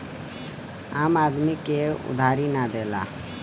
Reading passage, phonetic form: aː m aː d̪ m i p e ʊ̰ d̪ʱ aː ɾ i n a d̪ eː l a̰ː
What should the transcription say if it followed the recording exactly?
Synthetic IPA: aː m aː d̪ m i k e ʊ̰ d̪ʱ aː ɾ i n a d̪ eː l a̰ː